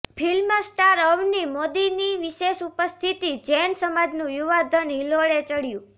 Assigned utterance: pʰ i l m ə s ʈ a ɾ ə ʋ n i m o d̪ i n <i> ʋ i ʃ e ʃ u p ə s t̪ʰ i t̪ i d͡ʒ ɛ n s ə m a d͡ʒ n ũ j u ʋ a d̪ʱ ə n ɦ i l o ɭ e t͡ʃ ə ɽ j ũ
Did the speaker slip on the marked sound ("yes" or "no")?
no